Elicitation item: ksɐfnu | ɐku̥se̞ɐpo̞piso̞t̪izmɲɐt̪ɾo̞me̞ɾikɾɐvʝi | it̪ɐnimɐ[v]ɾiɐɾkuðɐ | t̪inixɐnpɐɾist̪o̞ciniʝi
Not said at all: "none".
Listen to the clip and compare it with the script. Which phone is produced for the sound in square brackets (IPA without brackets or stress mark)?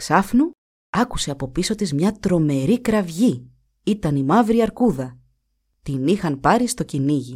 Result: v